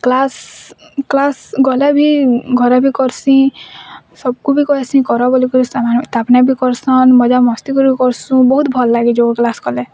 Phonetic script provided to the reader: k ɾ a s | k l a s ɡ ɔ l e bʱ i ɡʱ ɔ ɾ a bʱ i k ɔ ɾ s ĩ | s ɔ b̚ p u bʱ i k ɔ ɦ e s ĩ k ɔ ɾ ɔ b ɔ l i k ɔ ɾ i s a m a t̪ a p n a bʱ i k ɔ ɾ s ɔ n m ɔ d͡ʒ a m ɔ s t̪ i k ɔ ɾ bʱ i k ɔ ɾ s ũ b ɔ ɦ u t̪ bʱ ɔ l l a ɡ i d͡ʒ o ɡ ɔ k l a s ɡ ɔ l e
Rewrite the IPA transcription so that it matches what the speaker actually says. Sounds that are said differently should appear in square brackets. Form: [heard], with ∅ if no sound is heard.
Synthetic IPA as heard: k [l] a s | k l a s ɡ ɔ l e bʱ i ɡʱ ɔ ɾ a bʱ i k ɔ ɾ s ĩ | s ɔ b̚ [k] u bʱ i k ɔ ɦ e s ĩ k ɔ ɾ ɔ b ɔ l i k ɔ ɾ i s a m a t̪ a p n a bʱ i k ɔ ɾ s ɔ n m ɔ d͡ʒ a m ɔ s t̪ i k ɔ ɾ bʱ i k ɔ ɾ s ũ b ɔ ɦ u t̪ bʱ ɔ l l a ɡ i d͡ʒ o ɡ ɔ k l a s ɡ ɔ l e